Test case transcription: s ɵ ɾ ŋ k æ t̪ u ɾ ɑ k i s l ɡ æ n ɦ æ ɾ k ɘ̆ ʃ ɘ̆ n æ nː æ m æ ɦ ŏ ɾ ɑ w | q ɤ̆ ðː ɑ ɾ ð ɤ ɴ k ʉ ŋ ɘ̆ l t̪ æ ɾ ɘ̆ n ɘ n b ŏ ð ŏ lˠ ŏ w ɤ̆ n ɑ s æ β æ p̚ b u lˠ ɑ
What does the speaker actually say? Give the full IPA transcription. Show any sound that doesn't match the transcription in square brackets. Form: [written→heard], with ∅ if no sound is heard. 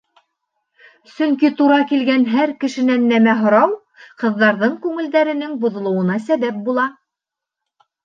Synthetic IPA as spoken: s ɵ [ɾ→∅] ŋ k [æ→i] t̪ u ɾ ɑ k i [s→∅] l ɡ æ n ɦ æ ɾ k ɘ̆ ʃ ɘ̆ n æ nː æ m æ ɦ ŏ ɾ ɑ w | q ɤ̆ ðː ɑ ɾ ð ɤ ɴ k ʉ ŋ ɘ̆ l [t̪→d̪] æ ɾ ɘ̆ n ɘ [n→ŋ] b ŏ ð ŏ lˠ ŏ w ɤ̆ n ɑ s æ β æ p̚ b u lˠ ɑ

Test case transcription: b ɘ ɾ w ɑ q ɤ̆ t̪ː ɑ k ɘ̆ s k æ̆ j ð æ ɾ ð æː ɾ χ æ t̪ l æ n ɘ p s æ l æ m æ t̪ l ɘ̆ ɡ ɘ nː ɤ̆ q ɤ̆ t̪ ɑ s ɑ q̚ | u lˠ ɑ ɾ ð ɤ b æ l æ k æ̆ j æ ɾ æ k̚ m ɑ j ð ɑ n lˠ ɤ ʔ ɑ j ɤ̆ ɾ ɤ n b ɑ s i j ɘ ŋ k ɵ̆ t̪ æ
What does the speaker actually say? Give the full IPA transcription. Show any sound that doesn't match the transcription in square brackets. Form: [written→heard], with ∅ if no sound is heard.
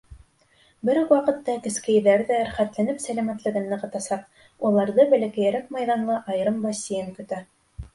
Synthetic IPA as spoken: b ɘ ɾ w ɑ q ɤ̆ t̪ː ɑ k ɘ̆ s k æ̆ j ð æ ɾ ð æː ɾ χ æ t̪ l æ n ɘ p s æ l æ m æ t̪ l ɘ̆ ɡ ɘ nː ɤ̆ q ɤ̆ t̪ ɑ s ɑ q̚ | u lˠ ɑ ɾ ð ɤ b æ l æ k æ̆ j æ ɾ æ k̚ m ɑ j ð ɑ n lˠ ɤ ʔ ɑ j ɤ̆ ɾ ɤ [n→m] b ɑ s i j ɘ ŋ k ɵ̆ t̪ æ

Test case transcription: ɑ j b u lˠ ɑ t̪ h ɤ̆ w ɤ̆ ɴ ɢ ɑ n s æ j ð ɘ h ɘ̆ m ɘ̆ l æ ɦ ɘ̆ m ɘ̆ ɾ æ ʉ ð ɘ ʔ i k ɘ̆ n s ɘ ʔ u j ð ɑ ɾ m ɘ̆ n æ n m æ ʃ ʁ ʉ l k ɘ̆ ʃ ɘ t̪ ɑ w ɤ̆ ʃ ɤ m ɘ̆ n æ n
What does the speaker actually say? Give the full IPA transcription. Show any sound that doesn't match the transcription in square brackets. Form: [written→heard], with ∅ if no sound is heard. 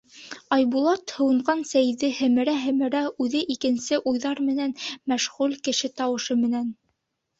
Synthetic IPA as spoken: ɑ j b u lˠ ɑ t̪ h ɤ̆ w ɤ̆ ɴ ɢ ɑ n s æ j ð ɘ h ɘ̆ m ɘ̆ [l→ɾ] æ ɦ ɘ̆ m ɘ̆ ɾ æ ʉ ð ɘ ʔ i k ɘ̆ n s ɘ ʔ u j ð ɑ ɾ m ɘ̆ n æ n m æ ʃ ʁ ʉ l k ɘ̆ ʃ ɘ t̪ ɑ w ɤ̆ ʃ ɤ m ɘ̆ n æ n

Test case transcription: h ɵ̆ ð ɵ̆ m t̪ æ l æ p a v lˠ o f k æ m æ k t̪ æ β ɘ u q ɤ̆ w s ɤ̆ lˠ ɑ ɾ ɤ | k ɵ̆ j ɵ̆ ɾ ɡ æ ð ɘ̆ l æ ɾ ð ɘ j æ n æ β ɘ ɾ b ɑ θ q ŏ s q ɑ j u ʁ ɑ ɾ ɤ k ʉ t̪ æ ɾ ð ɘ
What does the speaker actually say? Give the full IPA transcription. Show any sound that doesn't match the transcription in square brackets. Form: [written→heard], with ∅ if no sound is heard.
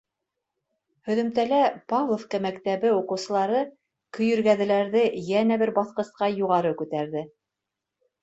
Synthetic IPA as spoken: h ɵ̆ ð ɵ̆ m t̪ æ l æ p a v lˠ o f k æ m æ k t̪ æ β ɘ u q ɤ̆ w s ɤ̆ lˠ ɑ ɾ ɤ | k ɵ̆ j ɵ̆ ɾ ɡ æ ð ɘ̆ l æ ɾ ð ɘ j æ n æ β ɘ ɾ b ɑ θ q [ŏ→ɤ̆] s q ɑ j u ʁ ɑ ɾ ɤ k ʉ t̪ æ ɾ ð ɘ

